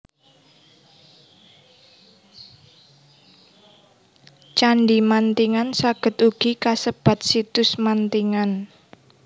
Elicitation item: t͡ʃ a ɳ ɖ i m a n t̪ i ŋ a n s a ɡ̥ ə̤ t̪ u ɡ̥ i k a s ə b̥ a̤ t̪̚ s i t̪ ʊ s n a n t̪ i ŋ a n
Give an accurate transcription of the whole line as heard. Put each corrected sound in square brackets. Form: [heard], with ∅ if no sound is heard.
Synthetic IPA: t͡ʃ a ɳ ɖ i m a n t̪ i ŋ a n s a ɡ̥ ə̤ t̪ u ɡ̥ i k a s ə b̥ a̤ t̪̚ s i t̪ ʊ s [m] a n t̪ i ŋ a n